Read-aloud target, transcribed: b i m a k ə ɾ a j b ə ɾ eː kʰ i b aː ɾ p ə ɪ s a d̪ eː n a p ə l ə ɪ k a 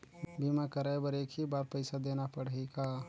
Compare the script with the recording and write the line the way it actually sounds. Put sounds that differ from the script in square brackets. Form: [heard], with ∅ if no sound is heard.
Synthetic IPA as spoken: b i m a k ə ɾ a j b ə ɾ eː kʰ i b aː ɾ p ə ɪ s a d̪ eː n a p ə [ɽ] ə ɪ k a